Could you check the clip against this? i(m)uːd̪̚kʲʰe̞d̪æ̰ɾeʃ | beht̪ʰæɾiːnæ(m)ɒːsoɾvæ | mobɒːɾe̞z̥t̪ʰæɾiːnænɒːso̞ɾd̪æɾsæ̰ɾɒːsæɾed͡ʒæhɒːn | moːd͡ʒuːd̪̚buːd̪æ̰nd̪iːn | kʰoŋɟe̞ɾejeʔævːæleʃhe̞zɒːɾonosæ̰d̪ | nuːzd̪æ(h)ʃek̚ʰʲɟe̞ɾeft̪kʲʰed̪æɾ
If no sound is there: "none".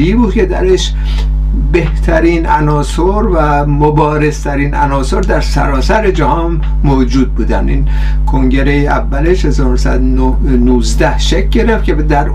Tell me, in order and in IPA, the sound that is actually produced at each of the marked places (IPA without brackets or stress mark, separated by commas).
b, n, h